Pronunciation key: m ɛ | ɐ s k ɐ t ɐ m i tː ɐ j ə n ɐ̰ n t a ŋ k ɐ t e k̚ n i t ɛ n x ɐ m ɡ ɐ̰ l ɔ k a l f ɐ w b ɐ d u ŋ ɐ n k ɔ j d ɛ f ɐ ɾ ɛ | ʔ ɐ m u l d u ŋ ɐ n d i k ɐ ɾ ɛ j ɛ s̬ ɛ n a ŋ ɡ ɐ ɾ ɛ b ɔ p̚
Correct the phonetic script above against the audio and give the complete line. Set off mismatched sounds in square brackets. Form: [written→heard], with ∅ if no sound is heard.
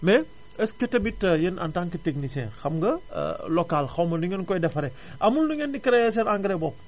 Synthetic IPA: m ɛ | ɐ s k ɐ t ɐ m i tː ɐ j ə n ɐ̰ n t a ŋ k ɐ t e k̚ n i [t→s] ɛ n x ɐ m ɡ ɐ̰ l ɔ k a l [f→x] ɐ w [b→m] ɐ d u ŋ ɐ n k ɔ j d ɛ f ɐ ɾ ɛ | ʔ ɐ m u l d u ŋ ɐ n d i k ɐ ɾ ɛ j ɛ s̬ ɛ n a ŋ ɡ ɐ ɾ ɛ b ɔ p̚